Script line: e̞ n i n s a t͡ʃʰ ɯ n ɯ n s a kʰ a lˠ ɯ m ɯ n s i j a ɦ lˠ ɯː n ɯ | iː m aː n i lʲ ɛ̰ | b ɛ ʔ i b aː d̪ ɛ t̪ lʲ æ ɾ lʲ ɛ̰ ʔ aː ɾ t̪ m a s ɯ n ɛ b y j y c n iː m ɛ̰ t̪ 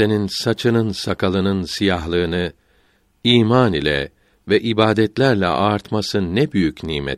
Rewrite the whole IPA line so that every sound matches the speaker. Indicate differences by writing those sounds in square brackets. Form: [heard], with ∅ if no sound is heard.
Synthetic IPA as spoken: e̞ n i n s a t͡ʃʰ ɯ n ɯ n s a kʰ a lˠ ɯ [n] ɯ n s i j a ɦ lˠ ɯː n ɯ | iː m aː n i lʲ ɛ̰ | [v] ɛ ʔ i b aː d̪ ɛ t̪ lʲ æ ɾ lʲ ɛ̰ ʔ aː ɾ t̪ m a s ɯ n ɛ b y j y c n iː m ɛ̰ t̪